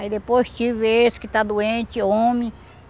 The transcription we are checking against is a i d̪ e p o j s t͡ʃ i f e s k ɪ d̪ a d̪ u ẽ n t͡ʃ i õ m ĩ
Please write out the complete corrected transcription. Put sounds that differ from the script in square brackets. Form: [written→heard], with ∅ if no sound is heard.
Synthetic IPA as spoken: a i d̪ e p o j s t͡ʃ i [f→v] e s k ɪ [d̪→t̪] a d̪ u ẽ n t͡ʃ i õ m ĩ